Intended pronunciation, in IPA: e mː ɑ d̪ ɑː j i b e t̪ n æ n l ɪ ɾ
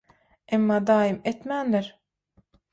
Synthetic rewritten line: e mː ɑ d̪ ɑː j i m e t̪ m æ n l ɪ ɾ